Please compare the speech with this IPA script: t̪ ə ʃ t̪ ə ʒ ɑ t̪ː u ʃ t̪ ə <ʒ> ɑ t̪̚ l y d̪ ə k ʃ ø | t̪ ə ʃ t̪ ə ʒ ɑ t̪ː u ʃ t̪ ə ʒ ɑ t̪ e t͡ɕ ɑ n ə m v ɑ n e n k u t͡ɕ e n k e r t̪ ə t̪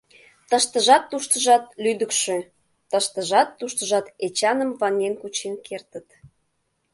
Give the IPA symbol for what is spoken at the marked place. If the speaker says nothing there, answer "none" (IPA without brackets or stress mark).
ʒ